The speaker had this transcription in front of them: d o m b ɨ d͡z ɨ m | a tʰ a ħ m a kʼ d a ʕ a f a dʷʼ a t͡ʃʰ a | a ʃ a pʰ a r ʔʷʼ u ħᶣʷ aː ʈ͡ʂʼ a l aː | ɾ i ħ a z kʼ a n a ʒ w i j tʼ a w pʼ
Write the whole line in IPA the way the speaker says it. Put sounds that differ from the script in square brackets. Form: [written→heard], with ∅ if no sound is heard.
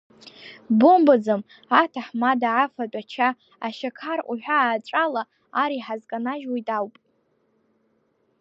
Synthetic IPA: [d→b] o m b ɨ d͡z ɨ m | a tʰ a ħ m a [kʼ→∅] d a ʕ a f a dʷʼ a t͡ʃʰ a | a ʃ a [pʰ→kʰ] a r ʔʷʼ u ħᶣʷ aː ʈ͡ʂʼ a l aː | ɾ i ħ a z kʼ a n a ʒ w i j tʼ a w pʼ